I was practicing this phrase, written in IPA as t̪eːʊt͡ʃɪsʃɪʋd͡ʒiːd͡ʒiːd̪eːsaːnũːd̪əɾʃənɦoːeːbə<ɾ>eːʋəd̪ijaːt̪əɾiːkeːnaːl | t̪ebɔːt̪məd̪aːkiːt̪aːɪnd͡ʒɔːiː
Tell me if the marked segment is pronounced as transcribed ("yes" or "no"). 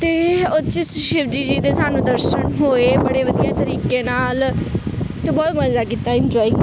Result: no